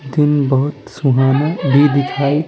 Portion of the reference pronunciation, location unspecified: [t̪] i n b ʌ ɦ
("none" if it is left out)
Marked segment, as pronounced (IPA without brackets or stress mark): d̪